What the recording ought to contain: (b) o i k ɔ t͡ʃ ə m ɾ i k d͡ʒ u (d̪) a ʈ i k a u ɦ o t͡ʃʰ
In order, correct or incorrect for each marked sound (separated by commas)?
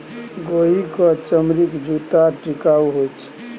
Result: incorrect, incorrect